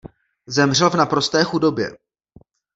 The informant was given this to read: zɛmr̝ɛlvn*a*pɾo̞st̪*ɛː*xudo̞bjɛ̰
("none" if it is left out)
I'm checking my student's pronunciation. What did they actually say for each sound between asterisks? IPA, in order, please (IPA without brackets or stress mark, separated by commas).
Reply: a, ɛː